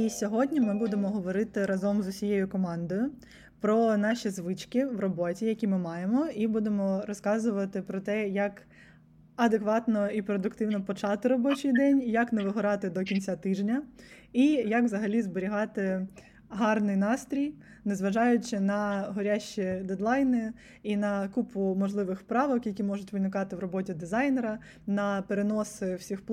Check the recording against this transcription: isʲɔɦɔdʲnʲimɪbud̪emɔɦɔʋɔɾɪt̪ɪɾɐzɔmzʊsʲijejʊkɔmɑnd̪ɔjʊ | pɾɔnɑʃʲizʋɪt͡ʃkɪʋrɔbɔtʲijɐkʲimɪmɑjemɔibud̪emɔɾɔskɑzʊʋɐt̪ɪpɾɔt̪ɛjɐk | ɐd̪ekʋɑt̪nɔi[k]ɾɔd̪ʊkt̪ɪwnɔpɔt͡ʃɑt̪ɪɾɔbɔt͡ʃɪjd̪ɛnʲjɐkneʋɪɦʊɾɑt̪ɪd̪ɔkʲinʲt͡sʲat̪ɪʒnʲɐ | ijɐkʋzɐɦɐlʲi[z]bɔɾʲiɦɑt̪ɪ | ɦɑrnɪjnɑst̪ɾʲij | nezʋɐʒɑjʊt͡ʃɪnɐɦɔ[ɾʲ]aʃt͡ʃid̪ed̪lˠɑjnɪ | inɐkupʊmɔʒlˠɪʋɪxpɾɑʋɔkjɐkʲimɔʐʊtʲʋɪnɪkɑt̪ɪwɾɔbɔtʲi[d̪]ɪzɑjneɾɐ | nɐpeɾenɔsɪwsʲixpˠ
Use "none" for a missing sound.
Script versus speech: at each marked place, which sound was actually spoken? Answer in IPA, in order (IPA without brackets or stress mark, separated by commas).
p, z, ɾʲ, d̪